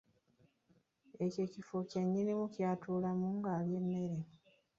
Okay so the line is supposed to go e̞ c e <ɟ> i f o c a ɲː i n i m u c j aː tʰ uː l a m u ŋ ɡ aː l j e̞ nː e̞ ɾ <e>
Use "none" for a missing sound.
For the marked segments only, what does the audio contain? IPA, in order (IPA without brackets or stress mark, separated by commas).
c, e